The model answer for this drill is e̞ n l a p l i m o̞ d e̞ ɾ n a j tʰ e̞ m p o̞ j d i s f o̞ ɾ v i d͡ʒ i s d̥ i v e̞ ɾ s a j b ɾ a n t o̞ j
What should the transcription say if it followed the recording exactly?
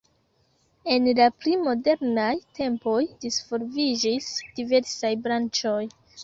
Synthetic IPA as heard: e̞ n l a p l i m o̞ d e̞ ɾ n a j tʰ e̞ m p o̞ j d i s f o̞ ɾ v i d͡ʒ i s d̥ i v e̞ ɾ s a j b ɾ a n t͡ʃ o̞ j